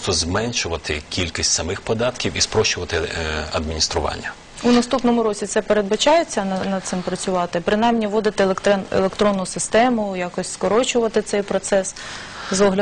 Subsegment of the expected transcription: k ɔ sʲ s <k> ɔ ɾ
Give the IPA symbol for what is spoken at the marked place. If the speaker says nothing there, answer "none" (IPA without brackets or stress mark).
k